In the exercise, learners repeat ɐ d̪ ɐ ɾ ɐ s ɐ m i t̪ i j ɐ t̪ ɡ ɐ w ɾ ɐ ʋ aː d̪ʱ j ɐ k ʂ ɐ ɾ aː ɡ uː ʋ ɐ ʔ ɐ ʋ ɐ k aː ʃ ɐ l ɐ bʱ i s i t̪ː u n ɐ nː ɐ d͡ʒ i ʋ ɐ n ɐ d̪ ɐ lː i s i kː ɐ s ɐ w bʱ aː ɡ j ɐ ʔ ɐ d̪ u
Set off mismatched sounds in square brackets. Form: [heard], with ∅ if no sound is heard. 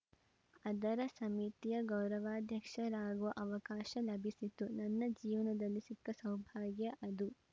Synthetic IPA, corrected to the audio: ɐ d̪ ɐ ɾ ɐ s ɐ m i t̪ i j ɐ [∅] ɡ ɐ w ɾ ɐ ʋ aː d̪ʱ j ɐ k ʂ ɐ ɾ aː ɡ [u] ʋ ɐ ʔ ɐ ʋ ɐ k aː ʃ ɐ l ɐ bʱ i s i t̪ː u n ɐ nː ɐ d͡ʒ [iː] ʋ ɐ n ɐ d̪ ɐ lː i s i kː ɐ s ɐ w bʱ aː ɡ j ɐ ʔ ɐ d̪ u